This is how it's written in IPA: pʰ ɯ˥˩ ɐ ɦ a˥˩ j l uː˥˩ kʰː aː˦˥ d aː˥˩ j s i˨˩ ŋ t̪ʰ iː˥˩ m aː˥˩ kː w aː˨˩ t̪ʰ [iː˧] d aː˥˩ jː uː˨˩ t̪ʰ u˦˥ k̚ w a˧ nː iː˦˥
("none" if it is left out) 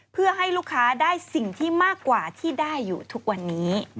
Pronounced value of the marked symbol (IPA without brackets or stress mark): iː˥˩